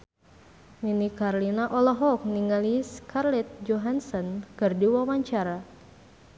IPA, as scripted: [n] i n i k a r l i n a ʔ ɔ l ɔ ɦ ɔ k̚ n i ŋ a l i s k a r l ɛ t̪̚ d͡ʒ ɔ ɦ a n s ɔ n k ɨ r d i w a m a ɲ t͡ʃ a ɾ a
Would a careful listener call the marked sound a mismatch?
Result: yes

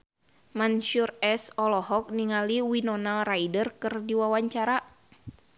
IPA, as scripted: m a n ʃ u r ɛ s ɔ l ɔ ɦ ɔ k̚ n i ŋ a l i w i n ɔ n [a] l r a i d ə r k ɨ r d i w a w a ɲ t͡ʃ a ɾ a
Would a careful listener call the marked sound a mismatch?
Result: no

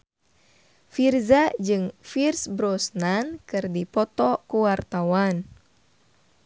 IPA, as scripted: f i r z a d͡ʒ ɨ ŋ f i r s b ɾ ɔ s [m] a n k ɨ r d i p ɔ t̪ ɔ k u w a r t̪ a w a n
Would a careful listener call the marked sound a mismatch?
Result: yes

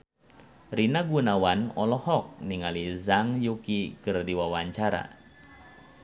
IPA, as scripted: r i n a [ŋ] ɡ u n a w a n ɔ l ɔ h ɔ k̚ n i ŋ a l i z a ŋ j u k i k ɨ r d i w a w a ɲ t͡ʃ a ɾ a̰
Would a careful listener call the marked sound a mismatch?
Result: yes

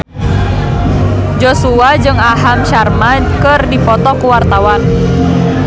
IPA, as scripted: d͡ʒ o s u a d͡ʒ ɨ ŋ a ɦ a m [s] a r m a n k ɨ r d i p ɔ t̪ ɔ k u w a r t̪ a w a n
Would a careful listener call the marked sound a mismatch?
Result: yes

